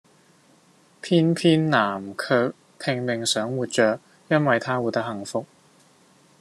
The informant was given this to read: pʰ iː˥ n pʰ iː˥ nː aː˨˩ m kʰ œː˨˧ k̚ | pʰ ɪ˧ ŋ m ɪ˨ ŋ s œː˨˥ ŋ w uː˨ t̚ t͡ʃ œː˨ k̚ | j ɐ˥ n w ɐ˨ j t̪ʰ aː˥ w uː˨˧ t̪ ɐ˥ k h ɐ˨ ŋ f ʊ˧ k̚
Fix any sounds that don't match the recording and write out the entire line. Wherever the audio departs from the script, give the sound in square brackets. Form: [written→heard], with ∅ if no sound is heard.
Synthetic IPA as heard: pʰ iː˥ n pʰ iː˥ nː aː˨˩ m kʰ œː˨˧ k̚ | pʰ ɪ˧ ŋ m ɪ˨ ŋ s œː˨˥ ŋ w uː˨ t̚ t͡ʃ œː˨ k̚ | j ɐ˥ n w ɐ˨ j t̪ʰ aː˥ w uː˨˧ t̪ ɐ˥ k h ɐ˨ ŋ f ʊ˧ k̚